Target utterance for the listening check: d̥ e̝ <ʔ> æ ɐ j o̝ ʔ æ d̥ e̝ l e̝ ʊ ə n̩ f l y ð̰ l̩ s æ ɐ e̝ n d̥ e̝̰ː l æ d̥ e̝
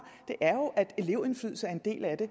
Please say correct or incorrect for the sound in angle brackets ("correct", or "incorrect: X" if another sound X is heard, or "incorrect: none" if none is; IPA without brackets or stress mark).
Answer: correct